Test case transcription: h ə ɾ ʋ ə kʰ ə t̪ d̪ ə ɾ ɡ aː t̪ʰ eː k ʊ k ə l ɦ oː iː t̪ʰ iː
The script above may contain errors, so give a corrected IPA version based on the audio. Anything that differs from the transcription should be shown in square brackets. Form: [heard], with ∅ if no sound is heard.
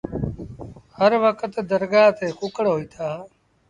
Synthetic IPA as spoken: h ə ɾ ʋ ə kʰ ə t̪ d̪ ə ɾ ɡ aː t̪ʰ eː k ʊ k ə [ɽ] ɦ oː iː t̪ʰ [aː]

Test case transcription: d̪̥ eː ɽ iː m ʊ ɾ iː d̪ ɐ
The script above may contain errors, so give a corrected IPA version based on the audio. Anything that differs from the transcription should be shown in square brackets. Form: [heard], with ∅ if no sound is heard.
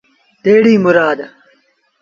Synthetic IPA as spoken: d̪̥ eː ɽ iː m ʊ ɾ [aː] d̪ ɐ

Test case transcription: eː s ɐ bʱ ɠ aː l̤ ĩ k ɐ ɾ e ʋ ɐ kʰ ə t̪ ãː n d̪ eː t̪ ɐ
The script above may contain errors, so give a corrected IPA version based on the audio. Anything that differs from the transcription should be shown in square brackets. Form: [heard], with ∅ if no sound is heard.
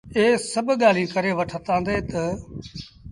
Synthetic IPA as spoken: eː s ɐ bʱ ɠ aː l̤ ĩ k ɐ ɾ e ʋ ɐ [ʈʰ] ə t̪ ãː n d̪ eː t̪ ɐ

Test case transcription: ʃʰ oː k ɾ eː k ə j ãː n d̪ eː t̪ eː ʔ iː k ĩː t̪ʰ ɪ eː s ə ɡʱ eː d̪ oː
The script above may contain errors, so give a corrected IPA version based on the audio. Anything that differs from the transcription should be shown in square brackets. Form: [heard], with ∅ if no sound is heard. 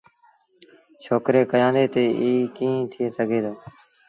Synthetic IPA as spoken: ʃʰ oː k ɾ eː k ə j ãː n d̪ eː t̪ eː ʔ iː k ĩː t̪ʰ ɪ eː s ə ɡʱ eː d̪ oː

